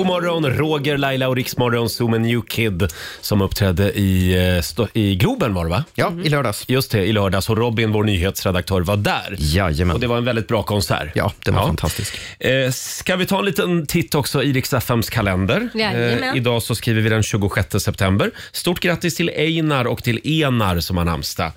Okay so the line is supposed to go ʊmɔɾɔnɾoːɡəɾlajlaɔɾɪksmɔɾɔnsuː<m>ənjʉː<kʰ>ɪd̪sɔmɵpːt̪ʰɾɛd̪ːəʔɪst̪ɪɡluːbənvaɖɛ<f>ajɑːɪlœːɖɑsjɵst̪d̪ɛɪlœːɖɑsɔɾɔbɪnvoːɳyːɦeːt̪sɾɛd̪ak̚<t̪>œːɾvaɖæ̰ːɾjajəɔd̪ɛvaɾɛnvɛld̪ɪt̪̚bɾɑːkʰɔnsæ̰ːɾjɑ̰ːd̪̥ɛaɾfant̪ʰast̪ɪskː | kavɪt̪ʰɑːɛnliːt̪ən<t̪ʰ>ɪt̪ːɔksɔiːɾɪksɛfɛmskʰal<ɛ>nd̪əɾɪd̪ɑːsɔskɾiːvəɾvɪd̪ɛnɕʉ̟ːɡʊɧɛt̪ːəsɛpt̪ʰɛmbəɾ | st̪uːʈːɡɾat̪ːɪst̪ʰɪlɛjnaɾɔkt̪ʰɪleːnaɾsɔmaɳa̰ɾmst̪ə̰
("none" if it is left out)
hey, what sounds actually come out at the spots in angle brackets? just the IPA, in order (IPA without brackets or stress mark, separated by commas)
m, kʰ, v, t̪ʰ, t̪ʰ, ɛ